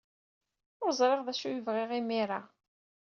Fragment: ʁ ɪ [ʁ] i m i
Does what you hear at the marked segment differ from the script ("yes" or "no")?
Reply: no